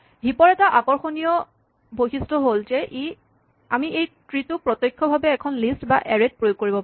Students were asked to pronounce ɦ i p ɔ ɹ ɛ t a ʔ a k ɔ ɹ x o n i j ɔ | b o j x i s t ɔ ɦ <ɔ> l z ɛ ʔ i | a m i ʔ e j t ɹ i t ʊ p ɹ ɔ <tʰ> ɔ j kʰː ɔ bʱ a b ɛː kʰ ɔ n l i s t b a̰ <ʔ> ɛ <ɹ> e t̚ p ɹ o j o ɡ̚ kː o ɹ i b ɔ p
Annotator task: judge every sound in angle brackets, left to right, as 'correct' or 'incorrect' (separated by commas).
incorrect, incorrect, correct, correct